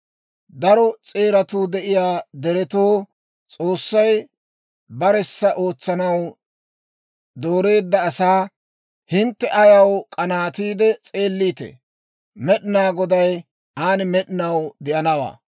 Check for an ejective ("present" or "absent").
present